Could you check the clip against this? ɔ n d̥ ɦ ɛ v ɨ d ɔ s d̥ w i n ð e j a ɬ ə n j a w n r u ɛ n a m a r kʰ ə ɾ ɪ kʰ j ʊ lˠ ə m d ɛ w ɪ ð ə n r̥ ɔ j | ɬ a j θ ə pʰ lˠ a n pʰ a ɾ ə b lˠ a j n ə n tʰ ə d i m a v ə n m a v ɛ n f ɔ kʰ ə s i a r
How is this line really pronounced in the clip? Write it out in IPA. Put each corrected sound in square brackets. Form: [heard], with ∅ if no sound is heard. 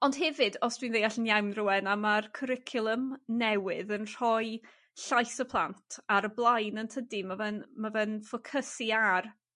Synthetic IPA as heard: ɔ n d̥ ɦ ɛ v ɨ d ɔ s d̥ w i n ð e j a ɬ ə n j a w n r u ɛ n a m a r kʰ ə ɾ ɪ kʰ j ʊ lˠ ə m [n] ɛ w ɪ ð ə n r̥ ɔ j | ɬ a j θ ə pʰ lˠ a n [tʰ] a ɾ ə b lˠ a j n ə n tʰ ə d i m a v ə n m a v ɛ n f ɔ kʰ ə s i a r

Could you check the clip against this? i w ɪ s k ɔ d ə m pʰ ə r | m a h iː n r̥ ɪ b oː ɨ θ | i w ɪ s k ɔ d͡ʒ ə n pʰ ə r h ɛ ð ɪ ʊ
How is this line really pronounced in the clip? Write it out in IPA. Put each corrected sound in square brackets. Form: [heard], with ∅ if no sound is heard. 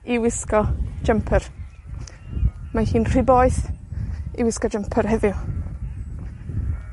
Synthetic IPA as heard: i w ɪ s k ɔ [d͡ʒ] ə m pʰ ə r | m a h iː n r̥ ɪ b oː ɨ θ | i w ɪ s k ɔ d͡ʒ ə [m] pʰ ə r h ɛ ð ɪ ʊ

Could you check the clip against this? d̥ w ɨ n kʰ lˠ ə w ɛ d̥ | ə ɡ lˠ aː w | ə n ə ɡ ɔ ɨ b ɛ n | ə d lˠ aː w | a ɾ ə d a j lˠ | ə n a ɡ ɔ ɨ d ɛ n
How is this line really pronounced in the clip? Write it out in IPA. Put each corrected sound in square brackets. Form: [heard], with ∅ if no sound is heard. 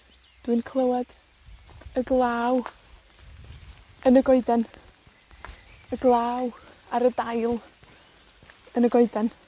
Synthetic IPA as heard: d̥ w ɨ n kʰ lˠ ə w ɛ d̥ | ə ɡ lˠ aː w | ə n ə ɡ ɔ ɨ [d] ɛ n | ə [ɡ] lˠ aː w | a ɾ ə d a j lˠ | ə n [ə] ɡ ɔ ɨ d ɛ n

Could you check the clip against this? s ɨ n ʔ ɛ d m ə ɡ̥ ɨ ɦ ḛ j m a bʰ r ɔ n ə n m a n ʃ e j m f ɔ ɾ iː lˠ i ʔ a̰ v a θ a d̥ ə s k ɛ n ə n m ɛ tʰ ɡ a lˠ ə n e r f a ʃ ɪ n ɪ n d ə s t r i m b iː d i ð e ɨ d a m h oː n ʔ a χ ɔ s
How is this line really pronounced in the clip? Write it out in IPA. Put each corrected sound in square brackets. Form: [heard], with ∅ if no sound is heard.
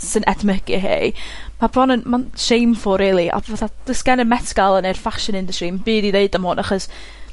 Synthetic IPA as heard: s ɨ n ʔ ɛ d m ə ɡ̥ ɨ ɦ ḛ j m a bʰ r ɔ n ə n m a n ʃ e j m f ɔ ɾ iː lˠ i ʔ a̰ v a θ a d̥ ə s k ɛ n ə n m ɛ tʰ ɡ a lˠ ə n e r f a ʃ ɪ n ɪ n d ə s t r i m b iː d i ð e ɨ d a m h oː n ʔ a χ ɔ s

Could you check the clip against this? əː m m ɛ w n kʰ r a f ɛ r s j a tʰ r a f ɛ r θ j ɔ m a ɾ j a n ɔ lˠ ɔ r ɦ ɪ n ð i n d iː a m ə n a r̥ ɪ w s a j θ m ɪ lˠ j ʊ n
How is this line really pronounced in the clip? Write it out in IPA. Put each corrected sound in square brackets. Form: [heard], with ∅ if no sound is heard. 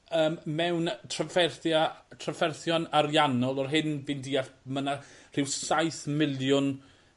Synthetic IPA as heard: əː m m ɛ w n [tʰ] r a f ɛ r [θ] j a tʰ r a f ɛ r θ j ɔ [n] a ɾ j a n ɔ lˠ ɔ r ɦ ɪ n [v] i n d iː a m ə n a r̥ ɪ w s a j θ m ɪ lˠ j ʊ n

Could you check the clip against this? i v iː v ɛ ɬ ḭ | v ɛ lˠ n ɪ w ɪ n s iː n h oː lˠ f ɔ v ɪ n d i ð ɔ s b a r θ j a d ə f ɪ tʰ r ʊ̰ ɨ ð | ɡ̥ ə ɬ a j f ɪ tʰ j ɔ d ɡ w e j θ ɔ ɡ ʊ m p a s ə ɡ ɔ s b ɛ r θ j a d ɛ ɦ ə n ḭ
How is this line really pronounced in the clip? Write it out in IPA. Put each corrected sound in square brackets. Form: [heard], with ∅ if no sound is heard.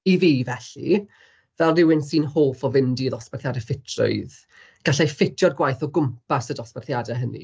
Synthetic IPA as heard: i v iː v ɛ ɬ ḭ | v ɛ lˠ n ɪ w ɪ n s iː n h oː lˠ f ɔ v ɪ n d i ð ɔ s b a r θ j a d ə f ɪ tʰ r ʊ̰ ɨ ð | ɡ̥ [a] ɬ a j f ɪ tʰ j ɔ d ɡ w [a] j θ ɔ ɡ ʊ m p a s ə [d] ɔ s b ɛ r θ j a d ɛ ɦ ə n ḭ

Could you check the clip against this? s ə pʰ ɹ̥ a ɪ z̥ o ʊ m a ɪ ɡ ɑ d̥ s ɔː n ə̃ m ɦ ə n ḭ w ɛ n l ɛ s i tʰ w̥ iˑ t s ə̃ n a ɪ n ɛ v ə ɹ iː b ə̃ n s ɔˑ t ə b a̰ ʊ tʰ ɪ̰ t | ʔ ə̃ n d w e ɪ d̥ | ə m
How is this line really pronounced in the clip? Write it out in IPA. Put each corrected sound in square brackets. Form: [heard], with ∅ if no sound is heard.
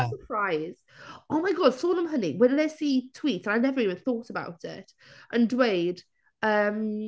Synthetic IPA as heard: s ə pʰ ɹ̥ a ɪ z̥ o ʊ m a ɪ ɡ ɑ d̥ s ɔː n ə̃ m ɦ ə n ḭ w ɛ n l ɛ s i tʰ w̥ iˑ t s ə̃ n a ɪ n ɛ v ə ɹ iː [v] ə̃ n [θ] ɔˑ t ə b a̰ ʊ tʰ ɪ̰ t | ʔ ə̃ n d w e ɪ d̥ | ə m

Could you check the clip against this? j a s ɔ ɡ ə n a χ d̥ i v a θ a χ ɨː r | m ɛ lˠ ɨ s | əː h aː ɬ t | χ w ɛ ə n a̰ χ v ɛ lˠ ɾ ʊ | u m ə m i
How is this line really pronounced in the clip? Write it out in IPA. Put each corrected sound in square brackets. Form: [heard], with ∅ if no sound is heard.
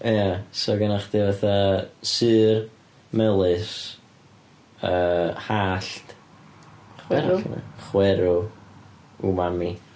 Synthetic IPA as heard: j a s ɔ ɡ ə n a χ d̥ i v a θ a [s] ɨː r | m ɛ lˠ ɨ s | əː h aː ɬ t | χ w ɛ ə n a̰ χ [w] ɛ [∅] ɾ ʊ | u m [a] m i

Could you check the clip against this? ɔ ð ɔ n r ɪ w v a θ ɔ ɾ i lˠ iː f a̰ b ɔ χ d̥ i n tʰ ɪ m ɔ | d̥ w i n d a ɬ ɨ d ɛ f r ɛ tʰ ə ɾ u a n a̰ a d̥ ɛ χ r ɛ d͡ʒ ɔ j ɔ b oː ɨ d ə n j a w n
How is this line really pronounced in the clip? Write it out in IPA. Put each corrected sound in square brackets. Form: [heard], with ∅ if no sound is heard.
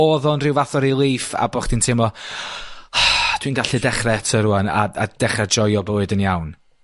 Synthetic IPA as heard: ɔ ð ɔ n r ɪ w v a θ ɔ ɾ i lˠ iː f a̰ b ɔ χ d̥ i n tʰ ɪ m ɔ | d̥ w i n [ɡ] a ɬ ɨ d ɛ [χ] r ɛ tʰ ə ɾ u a n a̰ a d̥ ɛ χ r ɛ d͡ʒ ɔ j ɔ b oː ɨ d ə n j a w n

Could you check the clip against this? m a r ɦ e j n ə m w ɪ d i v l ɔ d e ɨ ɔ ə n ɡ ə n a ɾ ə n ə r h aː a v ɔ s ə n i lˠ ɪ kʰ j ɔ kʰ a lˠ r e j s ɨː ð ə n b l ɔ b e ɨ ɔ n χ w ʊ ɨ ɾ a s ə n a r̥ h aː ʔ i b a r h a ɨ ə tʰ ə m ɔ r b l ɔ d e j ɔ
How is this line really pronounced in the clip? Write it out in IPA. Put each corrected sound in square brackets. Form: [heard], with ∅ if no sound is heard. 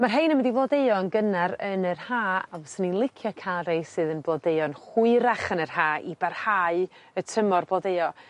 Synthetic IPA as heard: m a r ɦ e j n ə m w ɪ d i v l ɔ d e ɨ ɔ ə n ɡ ə n a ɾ ə n ə r h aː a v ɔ s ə n i lˠ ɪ kʰ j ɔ kʰ a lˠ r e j s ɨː ð ə n b l ɔ [d] e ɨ ɔ n χ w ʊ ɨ ɾ a [χ] ə n [ə] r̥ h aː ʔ i b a r h a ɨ ə tʰ ə m ɔ r b l ɔ d e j ɔ

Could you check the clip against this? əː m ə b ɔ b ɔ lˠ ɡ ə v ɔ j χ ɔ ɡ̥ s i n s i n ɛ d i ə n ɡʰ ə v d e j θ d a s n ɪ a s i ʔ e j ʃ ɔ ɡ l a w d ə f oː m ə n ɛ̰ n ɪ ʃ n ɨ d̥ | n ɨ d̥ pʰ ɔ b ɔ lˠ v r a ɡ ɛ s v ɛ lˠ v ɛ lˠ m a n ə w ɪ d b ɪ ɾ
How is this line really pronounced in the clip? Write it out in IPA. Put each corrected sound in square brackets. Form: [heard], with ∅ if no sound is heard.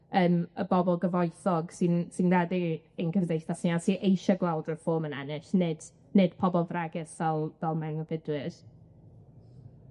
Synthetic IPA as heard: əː m ə b ɔ b ɔ lˠ ɡ ə v ɔ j [θ] ɔ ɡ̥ s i n s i n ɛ d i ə n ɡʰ ə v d e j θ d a s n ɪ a s i ʔ e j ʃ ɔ ɡ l a w d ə f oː m ə n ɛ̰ n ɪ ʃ n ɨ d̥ | n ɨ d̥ pʰ ɔ b ɔ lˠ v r a ɡ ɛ s v ɛ lˠ v ɛ lˠ m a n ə [v] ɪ d [w] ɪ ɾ

